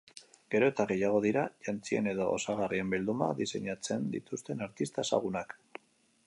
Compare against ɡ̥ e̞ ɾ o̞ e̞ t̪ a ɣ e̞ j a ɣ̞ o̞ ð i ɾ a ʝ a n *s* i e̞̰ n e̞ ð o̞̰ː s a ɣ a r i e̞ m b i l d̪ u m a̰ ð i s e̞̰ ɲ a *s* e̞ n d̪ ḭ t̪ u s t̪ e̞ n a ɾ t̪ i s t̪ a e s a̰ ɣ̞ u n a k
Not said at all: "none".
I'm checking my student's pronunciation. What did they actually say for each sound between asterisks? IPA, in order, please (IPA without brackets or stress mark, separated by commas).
t͡s, t͡s